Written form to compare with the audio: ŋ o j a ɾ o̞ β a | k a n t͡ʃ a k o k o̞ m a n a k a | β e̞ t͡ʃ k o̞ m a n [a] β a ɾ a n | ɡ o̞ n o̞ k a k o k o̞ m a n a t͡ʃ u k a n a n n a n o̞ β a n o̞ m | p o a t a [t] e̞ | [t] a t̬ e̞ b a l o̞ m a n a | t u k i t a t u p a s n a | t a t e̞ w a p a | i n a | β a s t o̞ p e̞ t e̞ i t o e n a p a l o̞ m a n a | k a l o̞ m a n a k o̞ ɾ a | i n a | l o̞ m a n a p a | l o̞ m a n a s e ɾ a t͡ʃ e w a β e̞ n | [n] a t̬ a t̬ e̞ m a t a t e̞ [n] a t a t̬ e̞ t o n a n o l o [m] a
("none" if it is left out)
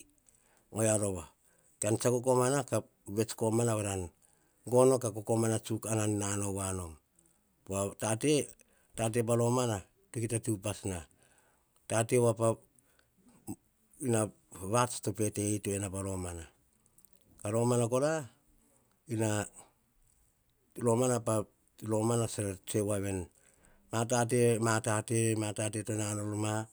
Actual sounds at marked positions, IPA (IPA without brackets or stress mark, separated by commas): a, t, t, m, m, m